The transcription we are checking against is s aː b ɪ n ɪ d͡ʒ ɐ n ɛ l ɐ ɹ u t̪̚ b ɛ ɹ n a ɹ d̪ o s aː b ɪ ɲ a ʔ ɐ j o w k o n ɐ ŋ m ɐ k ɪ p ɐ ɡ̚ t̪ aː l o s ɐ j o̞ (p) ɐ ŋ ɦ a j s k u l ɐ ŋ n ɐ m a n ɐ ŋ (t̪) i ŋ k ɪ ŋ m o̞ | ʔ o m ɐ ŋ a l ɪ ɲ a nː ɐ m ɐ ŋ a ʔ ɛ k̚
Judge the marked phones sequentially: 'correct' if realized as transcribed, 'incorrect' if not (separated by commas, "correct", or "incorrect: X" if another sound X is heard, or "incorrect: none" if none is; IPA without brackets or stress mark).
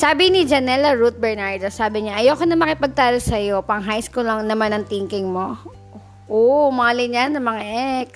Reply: correct, correct